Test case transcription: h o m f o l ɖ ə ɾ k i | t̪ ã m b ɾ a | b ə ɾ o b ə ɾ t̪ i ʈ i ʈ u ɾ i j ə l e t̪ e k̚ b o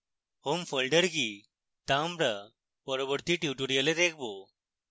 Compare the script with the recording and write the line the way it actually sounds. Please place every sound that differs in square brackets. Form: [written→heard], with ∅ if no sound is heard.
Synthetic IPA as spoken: h o m f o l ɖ ə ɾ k i | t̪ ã m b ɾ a | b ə ɾ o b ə ɾ t̪ i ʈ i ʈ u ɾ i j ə l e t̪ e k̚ b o